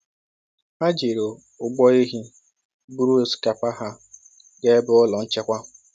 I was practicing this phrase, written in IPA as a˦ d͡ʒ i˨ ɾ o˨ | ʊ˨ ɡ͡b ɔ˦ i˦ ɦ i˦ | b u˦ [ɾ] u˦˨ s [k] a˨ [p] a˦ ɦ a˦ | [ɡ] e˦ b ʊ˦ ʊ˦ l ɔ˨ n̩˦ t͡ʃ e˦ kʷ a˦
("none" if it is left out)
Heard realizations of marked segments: ɾ, k, p, ɡ

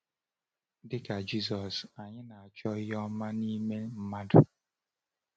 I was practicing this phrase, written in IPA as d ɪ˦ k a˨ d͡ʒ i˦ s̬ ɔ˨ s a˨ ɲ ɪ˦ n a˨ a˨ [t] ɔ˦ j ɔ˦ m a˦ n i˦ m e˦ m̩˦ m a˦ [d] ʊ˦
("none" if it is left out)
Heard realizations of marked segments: t͡ʃ, d

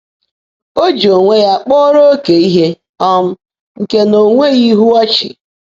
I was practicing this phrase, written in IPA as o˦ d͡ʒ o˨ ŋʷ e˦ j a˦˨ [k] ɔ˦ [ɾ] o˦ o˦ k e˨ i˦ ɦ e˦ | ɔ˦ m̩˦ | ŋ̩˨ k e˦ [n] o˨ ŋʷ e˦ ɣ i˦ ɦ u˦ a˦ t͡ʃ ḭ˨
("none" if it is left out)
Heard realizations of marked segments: k͡p, ɾ, n

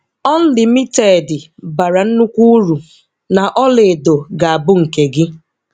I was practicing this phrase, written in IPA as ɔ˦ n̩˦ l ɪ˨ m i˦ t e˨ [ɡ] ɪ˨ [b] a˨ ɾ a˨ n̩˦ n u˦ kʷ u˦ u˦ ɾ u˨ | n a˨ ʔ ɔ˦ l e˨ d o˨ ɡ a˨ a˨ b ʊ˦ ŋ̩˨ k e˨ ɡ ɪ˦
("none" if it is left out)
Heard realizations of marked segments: d, b

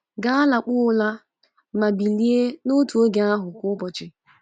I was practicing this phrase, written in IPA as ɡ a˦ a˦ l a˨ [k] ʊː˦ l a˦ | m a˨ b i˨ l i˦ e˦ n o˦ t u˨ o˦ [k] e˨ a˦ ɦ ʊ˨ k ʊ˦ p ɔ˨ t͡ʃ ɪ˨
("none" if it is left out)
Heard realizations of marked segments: k͡p, ɡ

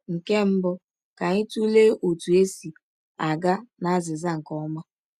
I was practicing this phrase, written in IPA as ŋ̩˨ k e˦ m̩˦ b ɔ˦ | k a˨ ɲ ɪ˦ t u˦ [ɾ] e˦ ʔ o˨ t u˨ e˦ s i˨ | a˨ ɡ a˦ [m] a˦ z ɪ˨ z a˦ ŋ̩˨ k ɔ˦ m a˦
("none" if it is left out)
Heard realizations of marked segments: l, n

